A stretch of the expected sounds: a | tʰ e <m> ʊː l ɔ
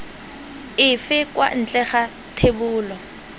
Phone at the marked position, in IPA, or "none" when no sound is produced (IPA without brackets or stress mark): b